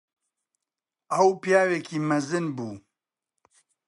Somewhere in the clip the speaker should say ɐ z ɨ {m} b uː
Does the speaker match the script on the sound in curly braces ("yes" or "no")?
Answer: no